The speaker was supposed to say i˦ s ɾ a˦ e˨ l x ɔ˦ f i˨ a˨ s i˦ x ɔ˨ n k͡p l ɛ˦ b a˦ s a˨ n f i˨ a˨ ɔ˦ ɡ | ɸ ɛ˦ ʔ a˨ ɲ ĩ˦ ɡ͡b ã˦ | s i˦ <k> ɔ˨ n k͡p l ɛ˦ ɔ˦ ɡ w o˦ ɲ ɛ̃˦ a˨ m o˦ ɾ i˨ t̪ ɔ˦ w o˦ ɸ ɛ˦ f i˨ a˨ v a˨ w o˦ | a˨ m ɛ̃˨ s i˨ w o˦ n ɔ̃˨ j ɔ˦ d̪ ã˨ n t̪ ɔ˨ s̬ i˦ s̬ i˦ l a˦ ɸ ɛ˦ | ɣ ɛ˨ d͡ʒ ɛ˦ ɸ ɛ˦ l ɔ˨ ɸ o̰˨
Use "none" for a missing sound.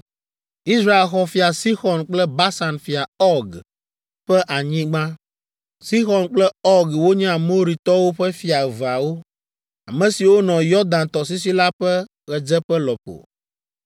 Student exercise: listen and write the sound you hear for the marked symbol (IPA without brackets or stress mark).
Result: x